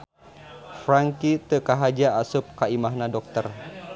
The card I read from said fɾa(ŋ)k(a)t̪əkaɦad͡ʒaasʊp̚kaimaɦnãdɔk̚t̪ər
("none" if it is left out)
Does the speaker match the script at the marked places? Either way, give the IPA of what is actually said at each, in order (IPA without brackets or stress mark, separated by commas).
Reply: ŋ, i